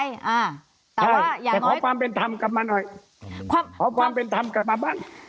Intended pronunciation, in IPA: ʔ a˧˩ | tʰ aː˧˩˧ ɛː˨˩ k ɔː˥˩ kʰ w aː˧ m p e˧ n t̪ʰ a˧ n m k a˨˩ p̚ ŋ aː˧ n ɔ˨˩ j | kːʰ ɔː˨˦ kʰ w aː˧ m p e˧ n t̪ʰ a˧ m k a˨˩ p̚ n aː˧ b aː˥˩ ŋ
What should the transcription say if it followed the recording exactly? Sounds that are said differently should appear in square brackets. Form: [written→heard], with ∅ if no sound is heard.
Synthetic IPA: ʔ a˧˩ | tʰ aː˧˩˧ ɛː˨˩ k [ɔː˥˩→ɔː˨˦] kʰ w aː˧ m p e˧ n t̪ʰ a˧ [n→∅] m k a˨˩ p̚ [ŋ→m] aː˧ n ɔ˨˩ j | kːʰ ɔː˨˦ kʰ w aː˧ m p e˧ n t̪ʰ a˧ m k a˨˩ p̚ [n→m] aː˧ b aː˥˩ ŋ